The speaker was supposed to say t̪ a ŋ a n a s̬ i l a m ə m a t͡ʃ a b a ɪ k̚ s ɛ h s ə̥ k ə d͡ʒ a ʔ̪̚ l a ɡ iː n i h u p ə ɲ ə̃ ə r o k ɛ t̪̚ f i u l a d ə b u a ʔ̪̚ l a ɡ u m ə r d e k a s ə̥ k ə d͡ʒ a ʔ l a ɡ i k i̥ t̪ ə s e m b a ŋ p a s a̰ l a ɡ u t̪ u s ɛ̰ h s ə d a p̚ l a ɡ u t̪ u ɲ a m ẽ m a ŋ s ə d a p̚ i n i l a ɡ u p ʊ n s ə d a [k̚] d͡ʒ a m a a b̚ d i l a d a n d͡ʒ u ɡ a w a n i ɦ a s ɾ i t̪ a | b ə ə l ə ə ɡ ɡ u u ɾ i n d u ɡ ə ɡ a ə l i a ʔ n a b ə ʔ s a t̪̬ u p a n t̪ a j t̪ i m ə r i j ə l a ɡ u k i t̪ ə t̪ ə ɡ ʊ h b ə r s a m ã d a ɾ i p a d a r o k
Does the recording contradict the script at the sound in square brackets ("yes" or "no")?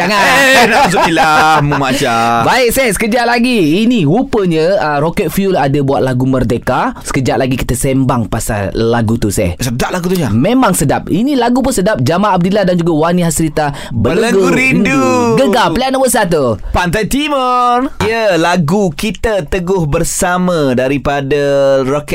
yes